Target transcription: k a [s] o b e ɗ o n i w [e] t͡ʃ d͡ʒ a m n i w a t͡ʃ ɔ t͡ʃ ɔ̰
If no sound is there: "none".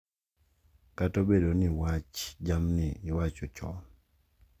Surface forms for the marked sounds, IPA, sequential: t, a

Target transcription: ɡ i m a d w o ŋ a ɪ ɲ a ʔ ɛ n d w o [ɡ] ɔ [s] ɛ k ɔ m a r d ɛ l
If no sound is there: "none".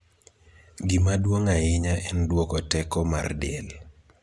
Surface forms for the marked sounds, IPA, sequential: k, t

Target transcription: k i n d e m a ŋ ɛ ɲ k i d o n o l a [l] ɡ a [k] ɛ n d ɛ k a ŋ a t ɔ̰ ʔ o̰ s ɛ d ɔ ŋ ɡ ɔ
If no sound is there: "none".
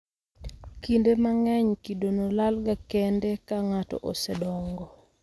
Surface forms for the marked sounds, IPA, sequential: l, k

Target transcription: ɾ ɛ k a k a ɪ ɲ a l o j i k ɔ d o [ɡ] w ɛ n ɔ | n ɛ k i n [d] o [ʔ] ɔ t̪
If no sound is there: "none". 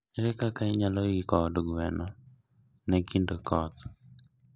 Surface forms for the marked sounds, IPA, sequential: ɡ, d, k

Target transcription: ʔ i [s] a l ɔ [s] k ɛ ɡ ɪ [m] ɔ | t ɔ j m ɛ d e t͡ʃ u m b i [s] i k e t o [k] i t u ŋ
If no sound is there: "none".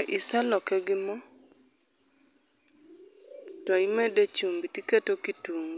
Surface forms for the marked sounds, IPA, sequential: s, none, m, t, k

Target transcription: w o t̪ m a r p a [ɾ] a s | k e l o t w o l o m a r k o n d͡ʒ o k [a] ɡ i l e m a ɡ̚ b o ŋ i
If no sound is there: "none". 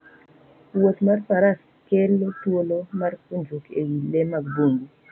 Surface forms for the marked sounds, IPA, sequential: ɾ, e

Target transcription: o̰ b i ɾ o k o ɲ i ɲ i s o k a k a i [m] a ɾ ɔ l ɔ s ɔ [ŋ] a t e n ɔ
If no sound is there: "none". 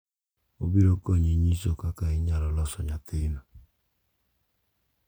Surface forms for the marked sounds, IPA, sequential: ɲ, ɲ

